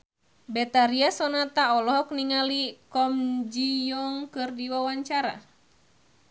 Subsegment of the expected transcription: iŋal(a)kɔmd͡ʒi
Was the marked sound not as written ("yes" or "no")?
yes